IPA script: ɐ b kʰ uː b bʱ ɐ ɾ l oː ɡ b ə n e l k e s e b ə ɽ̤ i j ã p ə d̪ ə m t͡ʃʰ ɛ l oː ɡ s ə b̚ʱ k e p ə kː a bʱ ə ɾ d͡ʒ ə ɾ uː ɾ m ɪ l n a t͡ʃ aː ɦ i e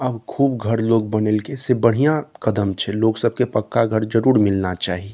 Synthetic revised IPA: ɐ b kʰ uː b ɡʱ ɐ ɾ l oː ɡ b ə n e l k e s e b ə ɽ̤ i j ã k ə d̪ ə m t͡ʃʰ ɛ l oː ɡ s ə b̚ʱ k e p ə kː a ɡʱ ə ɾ d͡ʒ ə ɾ uː ɾ m ɪ l n a t͡ʃ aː ɦ i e